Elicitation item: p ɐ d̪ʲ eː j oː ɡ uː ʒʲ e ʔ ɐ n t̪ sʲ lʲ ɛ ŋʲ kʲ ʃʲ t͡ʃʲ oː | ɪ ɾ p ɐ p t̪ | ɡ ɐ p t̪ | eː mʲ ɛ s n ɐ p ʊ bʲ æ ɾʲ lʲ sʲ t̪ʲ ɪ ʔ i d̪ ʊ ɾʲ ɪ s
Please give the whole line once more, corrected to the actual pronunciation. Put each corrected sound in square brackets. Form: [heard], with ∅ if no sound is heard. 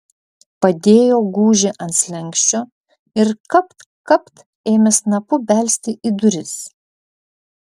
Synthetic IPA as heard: p ɐ d̪ʲ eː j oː ɡ uː ʒʲ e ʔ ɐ n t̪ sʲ lʲ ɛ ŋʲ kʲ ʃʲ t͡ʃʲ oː | ɪ ɾ [k] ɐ p t̪ | [k] ɐ p t̪ | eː mʲ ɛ s n ɐ p ʊ bʲ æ [∅] lʲ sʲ t̪ʲ ɪ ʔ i d̪ ʊ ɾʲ ɪ s